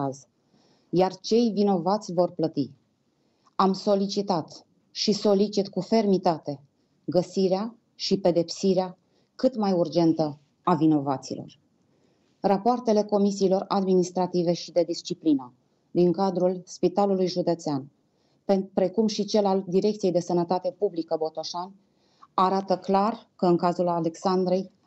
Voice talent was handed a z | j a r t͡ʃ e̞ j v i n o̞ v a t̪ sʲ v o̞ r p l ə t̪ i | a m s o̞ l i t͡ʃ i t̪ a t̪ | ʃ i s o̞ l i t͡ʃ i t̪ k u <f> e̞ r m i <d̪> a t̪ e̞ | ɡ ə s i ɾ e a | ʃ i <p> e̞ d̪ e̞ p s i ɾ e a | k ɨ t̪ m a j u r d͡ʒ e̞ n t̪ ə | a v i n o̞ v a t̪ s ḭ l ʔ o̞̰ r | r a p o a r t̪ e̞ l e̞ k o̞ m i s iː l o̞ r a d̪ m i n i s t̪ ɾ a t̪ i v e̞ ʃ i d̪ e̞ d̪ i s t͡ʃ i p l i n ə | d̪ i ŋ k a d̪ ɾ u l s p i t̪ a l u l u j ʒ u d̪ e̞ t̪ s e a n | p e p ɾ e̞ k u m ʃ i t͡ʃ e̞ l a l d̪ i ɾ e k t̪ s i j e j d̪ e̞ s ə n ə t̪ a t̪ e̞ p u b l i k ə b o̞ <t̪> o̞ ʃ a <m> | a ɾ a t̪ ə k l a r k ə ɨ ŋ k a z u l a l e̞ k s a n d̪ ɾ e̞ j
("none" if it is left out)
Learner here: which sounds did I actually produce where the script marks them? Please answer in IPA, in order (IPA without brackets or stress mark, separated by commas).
f, t̪, p, t̪, n